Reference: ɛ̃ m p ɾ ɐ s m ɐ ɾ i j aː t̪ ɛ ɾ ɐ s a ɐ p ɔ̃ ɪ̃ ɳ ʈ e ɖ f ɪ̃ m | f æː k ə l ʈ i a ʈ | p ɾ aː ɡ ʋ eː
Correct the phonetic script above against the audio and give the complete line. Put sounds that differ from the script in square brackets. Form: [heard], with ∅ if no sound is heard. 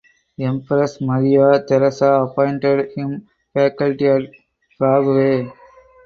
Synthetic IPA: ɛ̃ m p ɾ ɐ s m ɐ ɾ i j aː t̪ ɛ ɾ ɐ s a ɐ p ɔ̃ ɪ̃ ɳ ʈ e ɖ [h] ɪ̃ m | f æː k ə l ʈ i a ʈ | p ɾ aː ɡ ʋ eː